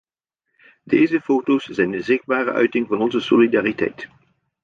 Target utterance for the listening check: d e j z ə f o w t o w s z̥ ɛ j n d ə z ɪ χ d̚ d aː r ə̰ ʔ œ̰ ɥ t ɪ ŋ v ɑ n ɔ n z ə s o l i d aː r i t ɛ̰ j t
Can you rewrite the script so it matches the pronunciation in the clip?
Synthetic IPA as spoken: d e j z ə f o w t o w s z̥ ɛ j n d ə z ɪ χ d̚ b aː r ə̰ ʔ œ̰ ɥ t ɪ ŋ v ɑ n ɔ n z ə s o l i d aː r i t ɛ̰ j t